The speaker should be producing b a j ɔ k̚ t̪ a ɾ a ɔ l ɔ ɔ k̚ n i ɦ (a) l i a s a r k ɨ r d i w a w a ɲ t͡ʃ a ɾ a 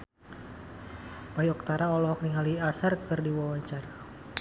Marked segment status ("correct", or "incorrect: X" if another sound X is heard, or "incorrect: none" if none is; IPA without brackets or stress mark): correct